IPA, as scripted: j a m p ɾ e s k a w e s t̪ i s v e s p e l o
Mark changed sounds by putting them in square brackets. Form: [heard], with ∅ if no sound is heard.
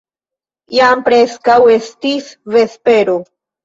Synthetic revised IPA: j a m p ɾ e s k a w e s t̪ i s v e s p e [ɾ] o